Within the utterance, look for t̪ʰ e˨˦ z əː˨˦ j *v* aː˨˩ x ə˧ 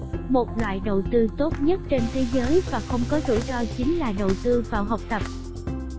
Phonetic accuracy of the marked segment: correct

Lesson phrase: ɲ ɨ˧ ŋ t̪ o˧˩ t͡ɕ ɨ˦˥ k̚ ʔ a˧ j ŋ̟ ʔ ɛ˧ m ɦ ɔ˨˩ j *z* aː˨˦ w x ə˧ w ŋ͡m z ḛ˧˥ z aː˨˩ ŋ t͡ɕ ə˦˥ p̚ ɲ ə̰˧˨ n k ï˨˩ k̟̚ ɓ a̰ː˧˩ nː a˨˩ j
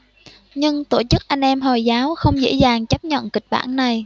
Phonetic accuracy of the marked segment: correct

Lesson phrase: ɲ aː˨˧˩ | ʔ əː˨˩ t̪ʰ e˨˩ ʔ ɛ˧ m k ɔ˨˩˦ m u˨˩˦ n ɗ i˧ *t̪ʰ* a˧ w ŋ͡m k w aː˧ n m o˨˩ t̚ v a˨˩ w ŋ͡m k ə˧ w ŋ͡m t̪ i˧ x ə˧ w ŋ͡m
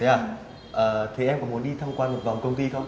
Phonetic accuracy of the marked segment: correct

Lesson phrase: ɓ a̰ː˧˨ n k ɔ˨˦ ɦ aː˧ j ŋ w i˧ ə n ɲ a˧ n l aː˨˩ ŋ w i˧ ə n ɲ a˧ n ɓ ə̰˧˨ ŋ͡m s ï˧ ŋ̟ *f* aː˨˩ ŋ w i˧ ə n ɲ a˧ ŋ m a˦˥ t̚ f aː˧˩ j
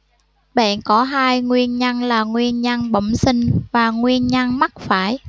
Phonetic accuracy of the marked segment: incorrect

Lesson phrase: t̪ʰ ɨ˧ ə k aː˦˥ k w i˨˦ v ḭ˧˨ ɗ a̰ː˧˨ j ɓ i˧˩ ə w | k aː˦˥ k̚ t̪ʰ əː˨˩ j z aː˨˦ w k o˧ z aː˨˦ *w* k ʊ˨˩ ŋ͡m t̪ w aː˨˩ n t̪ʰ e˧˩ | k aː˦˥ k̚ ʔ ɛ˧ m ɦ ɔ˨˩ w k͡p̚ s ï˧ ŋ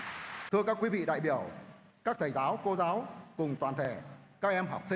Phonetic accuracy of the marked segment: correct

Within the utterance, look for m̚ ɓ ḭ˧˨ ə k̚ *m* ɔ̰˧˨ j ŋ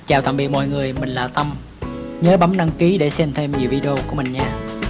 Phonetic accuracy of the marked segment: correct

